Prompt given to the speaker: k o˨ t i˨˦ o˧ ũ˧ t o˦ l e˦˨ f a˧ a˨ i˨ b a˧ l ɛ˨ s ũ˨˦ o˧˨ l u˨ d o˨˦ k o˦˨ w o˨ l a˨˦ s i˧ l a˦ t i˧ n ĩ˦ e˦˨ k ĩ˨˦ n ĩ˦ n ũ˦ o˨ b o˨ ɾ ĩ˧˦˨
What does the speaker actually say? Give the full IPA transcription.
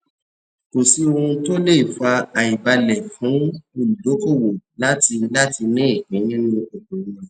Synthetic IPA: k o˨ s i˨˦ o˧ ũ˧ t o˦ l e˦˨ f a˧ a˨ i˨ b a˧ l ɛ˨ f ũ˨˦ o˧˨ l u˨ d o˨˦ k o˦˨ w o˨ l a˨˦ t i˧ l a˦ t i˧ n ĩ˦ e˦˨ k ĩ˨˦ n ĩ˦ n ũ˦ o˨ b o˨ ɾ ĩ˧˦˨